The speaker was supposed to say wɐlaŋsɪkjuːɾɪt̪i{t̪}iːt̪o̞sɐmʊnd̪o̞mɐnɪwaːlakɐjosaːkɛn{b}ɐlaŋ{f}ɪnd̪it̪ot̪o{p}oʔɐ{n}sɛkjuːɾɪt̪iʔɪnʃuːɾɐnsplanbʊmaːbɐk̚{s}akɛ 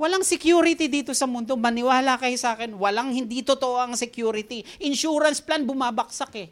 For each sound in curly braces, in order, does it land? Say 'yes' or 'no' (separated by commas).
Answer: no, no, no, no, no, yes